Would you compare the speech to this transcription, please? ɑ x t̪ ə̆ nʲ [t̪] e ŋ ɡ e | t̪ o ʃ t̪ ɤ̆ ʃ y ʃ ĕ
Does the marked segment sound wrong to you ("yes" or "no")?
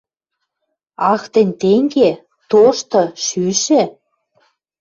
no